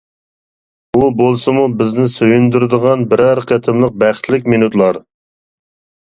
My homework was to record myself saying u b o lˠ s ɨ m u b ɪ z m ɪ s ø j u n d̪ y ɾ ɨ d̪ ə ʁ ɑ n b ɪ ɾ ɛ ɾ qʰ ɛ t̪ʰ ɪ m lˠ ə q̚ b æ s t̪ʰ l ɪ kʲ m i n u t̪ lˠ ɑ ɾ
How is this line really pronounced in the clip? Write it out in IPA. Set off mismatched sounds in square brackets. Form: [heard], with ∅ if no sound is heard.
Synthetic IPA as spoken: u b o lˠ s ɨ m u b ɪ z [n] ɪ s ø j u n d̪ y ɾ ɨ d̪ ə ʁ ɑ n b ɪ ɾ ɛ ɾ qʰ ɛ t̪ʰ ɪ m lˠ ə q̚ b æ [χ] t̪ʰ l ɪ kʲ m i n u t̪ lˠ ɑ ɾ